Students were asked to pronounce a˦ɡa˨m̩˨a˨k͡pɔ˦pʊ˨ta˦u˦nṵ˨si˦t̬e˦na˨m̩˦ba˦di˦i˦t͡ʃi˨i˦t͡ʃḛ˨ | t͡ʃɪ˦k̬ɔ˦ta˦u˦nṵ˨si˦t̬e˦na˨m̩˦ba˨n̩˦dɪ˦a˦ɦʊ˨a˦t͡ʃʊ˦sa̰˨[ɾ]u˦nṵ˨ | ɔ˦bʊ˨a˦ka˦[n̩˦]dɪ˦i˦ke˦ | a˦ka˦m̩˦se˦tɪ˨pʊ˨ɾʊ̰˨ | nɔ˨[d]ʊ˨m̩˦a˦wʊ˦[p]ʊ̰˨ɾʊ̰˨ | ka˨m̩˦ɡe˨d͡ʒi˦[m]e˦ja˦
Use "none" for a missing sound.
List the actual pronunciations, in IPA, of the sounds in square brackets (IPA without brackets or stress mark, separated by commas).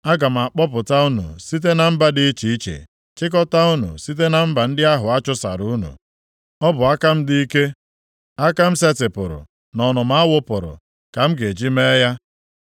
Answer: ɾ, m̩˦, n, p, m